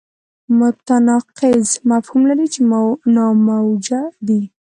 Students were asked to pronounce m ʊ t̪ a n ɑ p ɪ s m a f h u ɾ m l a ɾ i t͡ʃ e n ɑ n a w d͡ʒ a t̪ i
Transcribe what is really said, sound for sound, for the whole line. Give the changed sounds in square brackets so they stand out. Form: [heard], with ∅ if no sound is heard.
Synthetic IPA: m ʊ t̪ a n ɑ [q] ɪ [z] m a f h u [∅] m l a ɾ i t͡ʃ e n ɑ [m] a w d͡ʒ a [d̪] i

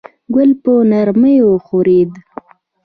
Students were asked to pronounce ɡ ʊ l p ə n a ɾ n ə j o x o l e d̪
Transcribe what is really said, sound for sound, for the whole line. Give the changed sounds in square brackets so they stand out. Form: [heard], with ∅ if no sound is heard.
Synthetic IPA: ɡ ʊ l p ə n a ɾ [m] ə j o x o [ɾ] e d̪

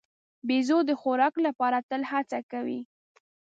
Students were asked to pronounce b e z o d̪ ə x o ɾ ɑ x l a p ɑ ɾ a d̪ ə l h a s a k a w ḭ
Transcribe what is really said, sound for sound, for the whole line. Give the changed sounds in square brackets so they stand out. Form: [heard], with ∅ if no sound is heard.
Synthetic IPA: b e z o d̪ ə x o ɾ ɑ [k] l a p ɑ ɾ a [t̪] ə l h a [t͡s] a k a w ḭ

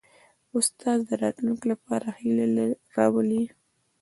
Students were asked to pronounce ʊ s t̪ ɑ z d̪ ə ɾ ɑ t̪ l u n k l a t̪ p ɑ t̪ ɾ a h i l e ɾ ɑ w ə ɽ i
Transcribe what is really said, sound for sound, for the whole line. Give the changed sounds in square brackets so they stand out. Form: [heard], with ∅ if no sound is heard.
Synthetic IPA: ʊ s t̪ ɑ z d̪ ə ɾ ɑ t̪ l u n k l a [∅] p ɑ [∅] ɾ a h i l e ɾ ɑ w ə [l] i

